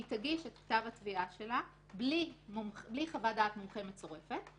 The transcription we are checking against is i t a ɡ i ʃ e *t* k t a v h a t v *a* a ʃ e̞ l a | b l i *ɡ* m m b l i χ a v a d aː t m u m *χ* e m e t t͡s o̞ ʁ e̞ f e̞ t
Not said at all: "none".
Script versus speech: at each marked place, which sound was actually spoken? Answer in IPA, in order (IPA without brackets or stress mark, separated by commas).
t, i, none, χ